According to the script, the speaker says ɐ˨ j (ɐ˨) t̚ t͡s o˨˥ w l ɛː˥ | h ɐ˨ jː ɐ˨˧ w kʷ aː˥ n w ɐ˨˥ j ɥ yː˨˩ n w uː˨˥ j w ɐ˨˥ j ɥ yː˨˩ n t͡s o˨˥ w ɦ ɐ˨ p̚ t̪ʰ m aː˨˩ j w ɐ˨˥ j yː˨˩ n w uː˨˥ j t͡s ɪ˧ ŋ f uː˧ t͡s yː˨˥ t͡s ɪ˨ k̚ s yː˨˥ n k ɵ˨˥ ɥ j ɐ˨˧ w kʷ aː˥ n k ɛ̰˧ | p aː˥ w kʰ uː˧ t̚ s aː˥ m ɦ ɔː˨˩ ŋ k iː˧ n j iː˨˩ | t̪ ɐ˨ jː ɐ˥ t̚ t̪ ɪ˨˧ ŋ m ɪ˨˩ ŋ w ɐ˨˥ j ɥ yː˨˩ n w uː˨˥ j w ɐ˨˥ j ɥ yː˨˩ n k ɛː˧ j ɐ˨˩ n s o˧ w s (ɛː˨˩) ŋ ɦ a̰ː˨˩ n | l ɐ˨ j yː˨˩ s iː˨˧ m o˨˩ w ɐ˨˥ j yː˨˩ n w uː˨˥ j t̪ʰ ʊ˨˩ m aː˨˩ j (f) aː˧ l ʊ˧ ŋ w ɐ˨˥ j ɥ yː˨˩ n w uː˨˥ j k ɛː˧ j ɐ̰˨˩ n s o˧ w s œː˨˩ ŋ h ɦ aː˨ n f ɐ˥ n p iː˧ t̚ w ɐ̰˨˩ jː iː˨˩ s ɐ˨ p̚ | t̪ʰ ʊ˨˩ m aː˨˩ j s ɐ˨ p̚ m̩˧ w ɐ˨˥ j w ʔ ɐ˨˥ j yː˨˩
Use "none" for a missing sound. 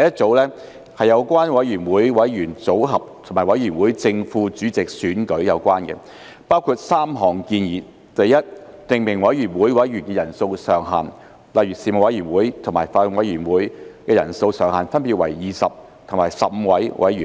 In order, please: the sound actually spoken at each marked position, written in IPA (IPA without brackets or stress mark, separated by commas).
ɐ˥, œː˨˩, f